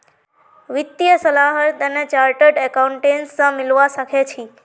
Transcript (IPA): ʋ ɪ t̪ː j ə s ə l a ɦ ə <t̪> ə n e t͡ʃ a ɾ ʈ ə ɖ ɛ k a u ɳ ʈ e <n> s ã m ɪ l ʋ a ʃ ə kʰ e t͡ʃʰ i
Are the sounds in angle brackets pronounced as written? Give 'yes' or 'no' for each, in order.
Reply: yes, yes

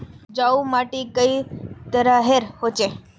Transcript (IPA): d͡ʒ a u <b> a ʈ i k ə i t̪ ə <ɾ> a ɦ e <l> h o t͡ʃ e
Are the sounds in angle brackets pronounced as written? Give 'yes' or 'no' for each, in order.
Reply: no, yes, no

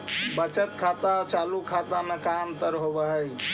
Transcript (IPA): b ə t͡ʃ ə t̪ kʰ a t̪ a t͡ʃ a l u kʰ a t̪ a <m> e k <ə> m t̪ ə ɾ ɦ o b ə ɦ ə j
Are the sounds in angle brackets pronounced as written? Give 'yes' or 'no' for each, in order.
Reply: yes, no

